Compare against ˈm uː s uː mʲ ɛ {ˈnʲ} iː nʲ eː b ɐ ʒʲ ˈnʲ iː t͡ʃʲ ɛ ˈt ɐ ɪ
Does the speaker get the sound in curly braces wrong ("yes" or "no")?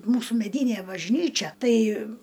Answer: yes